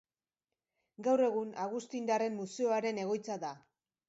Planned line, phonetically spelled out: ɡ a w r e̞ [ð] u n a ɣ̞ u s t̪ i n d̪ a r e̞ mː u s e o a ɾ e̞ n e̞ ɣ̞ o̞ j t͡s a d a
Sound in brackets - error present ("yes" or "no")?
yes